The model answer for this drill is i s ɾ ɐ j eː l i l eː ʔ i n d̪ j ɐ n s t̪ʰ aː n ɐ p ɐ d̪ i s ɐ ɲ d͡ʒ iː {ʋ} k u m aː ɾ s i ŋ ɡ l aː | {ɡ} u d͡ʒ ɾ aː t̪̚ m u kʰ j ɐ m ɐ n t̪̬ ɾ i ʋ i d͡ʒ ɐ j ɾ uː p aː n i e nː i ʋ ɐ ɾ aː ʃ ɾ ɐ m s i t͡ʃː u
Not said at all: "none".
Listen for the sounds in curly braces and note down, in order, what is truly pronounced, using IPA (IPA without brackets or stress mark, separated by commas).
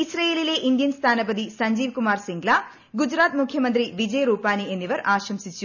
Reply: ʋ, ɡ